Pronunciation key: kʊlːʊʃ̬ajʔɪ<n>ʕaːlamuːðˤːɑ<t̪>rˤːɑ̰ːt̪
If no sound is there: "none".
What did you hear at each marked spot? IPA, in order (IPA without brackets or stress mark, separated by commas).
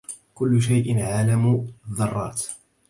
n, none